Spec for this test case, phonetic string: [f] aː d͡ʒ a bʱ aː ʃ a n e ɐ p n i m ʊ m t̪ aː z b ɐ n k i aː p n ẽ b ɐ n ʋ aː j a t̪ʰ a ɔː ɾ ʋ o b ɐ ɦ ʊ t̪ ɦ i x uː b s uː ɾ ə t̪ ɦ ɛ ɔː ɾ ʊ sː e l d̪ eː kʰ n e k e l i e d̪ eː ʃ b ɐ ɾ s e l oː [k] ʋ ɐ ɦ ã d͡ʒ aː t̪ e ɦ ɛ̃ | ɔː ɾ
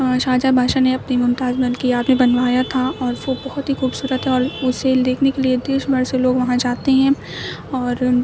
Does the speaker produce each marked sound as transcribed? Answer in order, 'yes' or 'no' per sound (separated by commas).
no, no